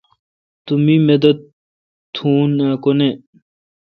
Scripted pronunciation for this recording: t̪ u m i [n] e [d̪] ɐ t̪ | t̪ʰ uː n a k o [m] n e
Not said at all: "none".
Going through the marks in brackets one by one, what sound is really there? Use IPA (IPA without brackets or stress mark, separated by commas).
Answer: m, d̪, none